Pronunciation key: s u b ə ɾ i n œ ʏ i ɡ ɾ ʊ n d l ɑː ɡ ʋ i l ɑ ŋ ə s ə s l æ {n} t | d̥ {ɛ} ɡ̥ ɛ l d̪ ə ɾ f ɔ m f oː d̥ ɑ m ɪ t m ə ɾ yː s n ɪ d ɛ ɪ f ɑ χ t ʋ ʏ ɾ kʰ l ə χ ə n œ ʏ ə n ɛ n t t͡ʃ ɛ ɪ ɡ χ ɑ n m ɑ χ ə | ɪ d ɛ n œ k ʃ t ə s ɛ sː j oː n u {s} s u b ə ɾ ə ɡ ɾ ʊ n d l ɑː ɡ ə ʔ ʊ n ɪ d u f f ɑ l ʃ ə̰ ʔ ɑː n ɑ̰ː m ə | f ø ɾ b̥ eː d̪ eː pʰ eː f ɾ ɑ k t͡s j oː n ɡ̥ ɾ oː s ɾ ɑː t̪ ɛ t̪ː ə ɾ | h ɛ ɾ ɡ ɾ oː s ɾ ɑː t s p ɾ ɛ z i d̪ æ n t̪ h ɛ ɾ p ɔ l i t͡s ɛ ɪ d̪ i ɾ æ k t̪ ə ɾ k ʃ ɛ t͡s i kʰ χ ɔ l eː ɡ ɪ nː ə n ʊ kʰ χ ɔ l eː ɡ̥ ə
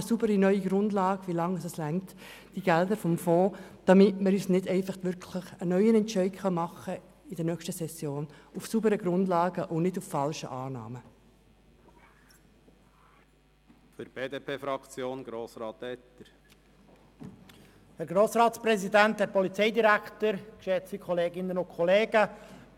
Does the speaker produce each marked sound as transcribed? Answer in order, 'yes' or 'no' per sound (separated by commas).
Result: no, no, no